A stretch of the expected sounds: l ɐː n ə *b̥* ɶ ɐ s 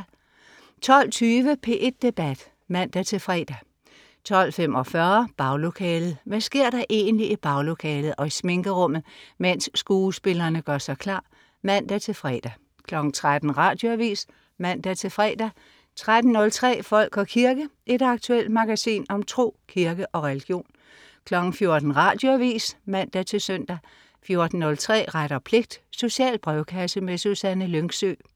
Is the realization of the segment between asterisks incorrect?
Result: yes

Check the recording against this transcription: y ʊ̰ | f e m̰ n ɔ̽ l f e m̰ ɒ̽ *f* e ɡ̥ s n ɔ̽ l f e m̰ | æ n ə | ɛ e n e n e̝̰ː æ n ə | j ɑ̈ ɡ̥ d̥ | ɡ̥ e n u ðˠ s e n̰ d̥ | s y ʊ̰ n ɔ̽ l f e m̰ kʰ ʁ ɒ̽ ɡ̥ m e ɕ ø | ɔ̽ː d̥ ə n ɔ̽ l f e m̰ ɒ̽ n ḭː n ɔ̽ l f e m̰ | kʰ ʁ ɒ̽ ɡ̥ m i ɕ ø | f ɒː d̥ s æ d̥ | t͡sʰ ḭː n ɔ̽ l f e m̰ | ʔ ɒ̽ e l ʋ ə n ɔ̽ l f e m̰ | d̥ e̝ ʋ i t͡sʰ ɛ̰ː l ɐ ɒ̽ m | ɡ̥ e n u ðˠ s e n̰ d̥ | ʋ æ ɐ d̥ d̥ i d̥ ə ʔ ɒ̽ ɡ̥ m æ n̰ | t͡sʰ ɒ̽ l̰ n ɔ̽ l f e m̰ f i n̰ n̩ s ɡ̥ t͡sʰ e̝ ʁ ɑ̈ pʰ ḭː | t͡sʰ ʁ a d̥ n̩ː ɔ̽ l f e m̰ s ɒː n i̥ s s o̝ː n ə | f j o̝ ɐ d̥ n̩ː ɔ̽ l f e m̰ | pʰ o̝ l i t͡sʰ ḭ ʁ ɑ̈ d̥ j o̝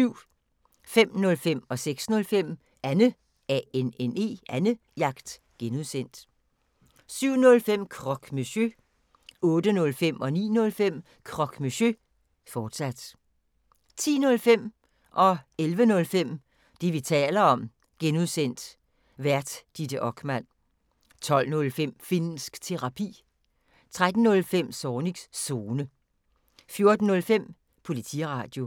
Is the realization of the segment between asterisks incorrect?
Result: yes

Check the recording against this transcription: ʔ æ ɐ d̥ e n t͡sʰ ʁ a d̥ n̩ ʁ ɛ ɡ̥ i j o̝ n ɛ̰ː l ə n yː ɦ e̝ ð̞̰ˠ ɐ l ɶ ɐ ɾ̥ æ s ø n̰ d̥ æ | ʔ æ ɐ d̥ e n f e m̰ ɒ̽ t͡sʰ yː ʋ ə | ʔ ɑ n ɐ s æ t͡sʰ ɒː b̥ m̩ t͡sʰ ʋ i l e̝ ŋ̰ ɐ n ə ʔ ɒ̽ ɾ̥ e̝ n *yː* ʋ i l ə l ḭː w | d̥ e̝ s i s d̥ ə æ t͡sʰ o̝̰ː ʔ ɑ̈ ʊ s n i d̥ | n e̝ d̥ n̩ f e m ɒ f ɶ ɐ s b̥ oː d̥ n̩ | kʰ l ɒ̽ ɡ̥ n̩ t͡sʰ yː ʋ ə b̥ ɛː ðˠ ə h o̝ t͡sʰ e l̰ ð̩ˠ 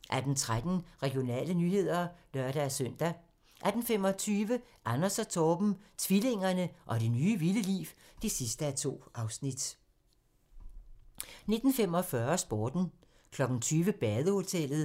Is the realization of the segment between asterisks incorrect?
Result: no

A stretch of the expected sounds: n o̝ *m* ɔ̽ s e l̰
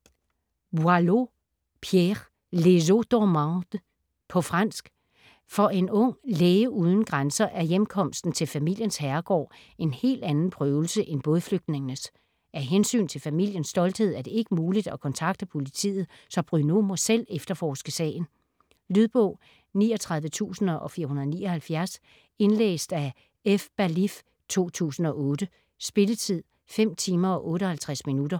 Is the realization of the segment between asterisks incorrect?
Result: no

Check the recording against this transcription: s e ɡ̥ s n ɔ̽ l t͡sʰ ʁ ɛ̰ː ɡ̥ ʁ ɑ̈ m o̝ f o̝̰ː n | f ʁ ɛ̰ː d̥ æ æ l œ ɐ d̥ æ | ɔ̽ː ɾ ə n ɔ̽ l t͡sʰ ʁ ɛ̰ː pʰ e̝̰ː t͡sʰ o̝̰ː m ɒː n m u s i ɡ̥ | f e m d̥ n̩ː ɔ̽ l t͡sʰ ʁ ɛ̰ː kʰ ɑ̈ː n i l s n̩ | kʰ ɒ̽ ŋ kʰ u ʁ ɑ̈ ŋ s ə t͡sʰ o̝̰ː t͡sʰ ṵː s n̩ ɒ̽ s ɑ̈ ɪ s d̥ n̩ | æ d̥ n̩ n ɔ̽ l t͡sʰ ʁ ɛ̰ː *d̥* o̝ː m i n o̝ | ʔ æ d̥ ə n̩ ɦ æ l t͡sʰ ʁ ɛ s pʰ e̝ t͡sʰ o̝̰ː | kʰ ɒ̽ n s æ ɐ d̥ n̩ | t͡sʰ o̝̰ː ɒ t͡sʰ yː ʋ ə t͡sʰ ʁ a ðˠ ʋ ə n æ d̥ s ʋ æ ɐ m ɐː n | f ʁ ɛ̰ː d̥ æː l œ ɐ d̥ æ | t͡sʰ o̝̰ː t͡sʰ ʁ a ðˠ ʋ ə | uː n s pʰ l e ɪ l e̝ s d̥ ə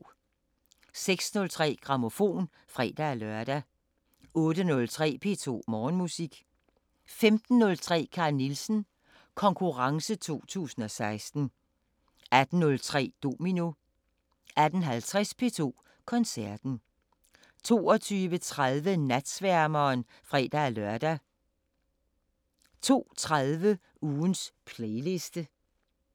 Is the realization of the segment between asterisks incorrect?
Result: no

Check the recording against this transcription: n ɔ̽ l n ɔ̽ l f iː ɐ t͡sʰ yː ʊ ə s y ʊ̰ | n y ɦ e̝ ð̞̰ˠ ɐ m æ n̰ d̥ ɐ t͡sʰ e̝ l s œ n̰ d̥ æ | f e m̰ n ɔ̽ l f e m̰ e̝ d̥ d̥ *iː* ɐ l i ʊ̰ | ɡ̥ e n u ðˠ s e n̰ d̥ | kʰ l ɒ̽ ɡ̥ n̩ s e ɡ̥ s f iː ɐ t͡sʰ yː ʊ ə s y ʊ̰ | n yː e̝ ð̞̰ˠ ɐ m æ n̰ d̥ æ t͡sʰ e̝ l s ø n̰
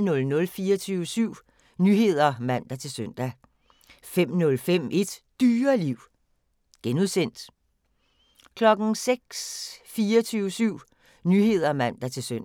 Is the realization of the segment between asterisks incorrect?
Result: yes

